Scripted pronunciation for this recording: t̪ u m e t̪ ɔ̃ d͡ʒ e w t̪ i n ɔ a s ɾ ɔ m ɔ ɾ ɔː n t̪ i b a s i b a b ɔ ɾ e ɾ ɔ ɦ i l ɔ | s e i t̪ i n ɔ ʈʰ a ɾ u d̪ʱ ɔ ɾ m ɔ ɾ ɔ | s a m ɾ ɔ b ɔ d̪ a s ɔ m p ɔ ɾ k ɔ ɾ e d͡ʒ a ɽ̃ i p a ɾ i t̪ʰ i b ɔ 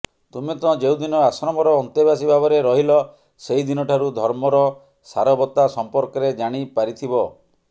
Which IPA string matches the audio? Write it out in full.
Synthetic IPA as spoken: t̪ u m e t̪ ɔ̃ d͡ʒ e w d̪ i n ɔ a s ɾ ɔ m ɔ ɾ ɔː n t̪ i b a s i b a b ɔ ɾ e ɾ ɔ ɦ i l ɔ | s e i d̪ i n ɔ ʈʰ a ɾ u d̪ʱ ɔ ɾ m ɔ ɾ ɔ | s a ɾ ɔ b ɔ t̪ a s ɔ m p ɔ ɾ k ɔ ɾ e d͡ʒ a ɽ̃ i p a ɾ i t̪ʰ i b ɔ

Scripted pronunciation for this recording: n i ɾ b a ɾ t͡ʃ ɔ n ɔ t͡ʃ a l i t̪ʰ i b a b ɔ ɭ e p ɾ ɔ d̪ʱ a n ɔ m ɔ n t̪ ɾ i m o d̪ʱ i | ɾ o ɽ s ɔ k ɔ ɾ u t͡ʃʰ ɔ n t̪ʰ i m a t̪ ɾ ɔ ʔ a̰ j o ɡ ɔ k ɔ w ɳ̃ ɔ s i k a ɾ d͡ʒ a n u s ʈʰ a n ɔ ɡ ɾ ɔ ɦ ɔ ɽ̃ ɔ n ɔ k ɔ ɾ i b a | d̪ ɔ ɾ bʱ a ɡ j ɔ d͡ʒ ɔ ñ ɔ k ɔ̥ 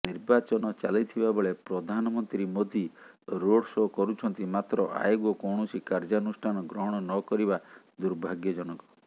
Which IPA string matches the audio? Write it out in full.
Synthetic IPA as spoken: n i ɾ b a t͡ʃ ɔ n ɔ t͡ʃ a l i t̪ʰ i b a b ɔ ɭ e p ɾ ɔ d̪ʱ a n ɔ m ɔ n t̪ ɾ i m o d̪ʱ i | ɾ o ɽ s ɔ k ɔ ɾ u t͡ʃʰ ɔ n t̪ i m a t̪ ɾ ɔ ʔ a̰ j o ɡ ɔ k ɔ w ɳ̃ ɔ s i k a ɾ d͡ʒ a n u s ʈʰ a n ɔ ɡ ɾ ɔ ɦ ɔ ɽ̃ ɔ n ɔ k ɔ ɾ i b a | d̪ u ɾ bʱ a ɡ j ɔ d͡ʒ ɔ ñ ɔ k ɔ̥

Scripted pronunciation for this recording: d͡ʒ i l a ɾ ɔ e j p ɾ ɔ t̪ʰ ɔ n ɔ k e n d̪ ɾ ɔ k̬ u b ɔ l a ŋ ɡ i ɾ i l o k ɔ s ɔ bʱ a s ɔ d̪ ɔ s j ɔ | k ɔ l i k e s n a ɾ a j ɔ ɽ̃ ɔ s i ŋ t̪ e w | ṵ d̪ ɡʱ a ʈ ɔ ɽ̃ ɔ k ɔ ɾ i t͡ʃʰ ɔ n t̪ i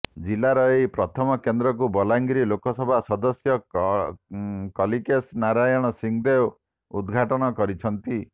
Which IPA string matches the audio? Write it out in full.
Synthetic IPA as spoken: d͡ʒ i l a ɾ ɔ e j p ɾ ɔ t̪ʰ ɔ m ɔ k e n d̪ ɾ ɔ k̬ u b ɔ l a ŋ ɡ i ɾ i l o k ɔ s ɔ bʱ a s ɔ d̪ ɔ s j ɔ | k ɔ l i k e s n a ɾ a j ɔ ɽ̃ ɔ s i ŋ d̪ e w | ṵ d̪ ɡʱ a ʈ ɔ ɽ̃ ɔ k ɔ ɾ i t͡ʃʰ ɔ n t̪ i

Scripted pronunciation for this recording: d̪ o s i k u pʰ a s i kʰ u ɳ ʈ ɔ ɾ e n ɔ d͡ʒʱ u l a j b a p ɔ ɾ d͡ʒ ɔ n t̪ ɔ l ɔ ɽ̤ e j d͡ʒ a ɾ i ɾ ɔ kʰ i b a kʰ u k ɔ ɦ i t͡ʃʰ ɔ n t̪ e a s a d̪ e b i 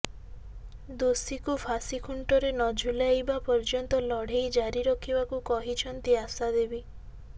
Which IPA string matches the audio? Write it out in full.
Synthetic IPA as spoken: d̪ o s i k u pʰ a s i kʰ u ɳ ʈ ɔ ɾ e n ɔ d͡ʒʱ u l a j b a p ɔ ɾ d͡ʒ ɔ n t̪ ɔ l ɔ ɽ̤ e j d͡ʒ a ɾ i ɾ ɔ kʰ i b a k u k ɔ ɦ i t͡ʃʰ ɔ n t̪ i a s a d̪ e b i

